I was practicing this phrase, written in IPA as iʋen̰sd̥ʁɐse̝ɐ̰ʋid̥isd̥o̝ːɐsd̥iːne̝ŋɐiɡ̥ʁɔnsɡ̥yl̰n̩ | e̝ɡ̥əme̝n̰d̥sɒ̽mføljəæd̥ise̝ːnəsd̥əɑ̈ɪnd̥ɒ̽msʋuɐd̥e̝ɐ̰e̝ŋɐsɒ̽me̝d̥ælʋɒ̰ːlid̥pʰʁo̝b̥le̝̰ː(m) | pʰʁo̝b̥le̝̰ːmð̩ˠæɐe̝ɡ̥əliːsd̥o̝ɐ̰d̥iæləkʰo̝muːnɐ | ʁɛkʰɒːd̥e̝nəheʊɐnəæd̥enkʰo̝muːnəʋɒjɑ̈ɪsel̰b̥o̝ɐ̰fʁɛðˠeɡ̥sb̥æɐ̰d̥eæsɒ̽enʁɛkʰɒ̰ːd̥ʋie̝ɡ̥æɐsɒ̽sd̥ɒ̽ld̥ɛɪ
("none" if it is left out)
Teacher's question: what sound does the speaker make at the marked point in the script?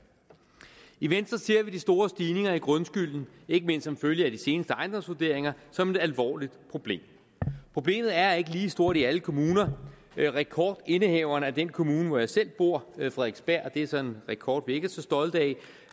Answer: m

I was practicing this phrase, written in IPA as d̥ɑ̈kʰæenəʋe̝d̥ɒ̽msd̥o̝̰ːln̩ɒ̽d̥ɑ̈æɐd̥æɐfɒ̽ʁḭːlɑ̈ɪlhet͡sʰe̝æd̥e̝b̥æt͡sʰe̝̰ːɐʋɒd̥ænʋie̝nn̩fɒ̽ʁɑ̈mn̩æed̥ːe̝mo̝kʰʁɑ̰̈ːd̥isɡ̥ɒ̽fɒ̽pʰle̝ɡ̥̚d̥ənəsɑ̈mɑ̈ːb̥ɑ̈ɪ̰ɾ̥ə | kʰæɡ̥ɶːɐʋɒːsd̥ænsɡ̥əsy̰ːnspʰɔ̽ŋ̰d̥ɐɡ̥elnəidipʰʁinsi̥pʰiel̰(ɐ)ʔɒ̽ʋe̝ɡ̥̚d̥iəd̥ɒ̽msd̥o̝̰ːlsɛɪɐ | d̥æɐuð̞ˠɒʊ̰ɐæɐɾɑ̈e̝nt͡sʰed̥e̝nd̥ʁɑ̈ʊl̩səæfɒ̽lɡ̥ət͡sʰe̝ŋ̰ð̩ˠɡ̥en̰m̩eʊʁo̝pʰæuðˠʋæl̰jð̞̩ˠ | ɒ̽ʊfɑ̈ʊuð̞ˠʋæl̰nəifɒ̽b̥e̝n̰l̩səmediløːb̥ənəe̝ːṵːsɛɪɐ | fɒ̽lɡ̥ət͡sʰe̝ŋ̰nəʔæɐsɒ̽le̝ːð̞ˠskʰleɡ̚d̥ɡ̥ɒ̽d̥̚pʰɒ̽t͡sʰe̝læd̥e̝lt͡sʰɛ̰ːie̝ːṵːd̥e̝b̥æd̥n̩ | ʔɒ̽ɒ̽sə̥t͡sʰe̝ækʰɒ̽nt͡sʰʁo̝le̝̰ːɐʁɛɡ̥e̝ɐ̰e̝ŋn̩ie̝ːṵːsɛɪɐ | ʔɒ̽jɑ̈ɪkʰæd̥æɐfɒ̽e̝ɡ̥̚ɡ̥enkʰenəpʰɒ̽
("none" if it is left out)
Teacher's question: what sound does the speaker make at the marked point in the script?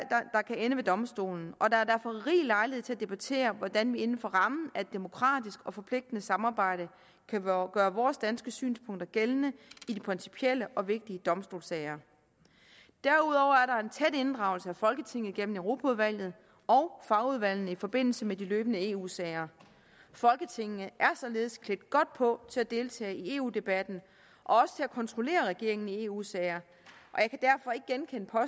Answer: ə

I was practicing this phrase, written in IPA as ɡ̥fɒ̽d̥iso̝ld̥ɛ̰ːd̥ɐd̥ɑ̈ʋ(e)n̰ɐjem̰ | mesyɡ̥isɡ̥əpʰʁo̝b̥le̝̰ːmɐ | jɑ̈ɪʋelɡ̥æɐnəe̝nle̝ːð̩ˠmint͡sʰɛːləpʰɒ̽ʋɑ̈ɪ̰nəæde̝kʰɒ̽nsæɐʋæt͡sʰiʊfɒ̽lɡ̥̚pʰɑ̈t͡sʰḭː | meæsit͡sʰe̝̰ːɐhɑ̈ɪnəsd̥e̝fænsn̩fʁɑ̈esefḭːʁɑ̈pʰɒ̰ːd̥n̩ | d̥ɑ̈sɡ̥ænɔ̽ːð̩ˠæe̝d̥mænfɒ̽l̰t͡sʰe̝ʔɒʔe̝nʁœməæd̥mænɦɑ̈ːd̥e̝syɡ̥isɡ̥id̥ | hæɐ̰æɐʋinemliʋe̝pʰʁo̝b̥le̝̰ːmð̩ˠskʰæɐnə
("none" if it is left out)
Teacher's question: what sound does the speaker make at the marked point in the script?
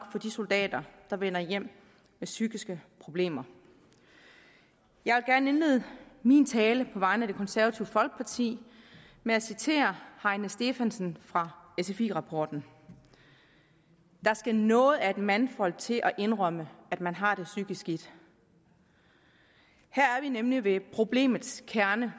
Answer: e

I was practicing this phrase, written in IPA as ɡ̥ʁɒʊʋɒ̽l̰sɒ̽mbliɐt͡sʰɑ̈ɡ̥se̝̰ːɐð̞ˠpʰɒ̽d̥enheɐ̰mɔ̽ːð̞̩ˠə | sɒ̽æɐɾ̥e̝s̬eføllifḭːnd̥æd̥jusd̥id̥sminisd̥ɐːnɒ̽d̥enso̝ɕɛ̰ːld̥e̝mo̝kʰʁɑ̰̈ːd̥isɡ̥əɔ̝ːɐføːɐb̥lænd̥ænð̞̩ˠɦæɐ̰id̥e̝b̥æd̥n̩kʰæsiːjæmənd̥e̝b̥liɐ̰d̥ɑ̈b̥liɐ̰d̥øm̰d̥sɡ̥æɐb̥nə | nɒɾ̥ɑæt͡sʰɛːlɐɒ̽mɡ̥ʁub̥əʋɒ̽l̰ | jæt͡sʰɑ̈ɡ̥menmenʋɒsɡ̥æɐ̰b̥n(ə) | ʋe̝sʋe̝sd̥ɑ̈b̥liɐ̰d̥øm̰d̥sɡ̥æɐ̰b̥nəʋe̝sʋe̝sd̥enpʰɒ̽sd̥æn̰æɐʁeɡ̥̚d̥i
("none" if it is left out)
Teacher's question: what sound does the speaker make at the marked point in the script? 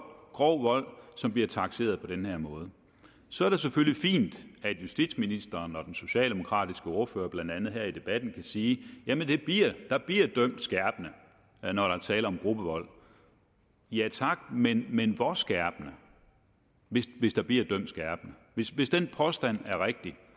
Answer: ə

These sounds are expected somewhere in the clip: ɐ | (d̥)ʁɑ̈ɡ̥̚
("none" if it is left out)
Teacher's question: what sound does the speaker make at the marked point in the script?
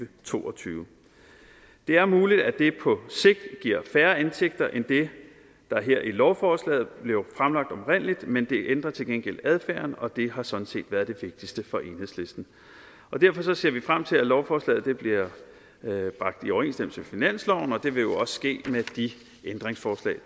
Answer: b̥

